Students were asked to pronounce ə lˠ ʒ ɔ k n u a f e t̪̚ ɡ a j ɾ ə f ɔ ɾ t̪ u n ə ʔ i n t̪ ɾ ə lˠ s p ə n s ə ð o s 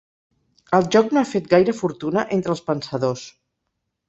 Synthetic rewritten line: ə lˠ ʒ ɔ k n o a f e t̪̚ ɡ a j ɾ ə f u ɾ t̪ u n ə ʔ e n t̪ ɾ ə lˠ s p ə n s ə ð o s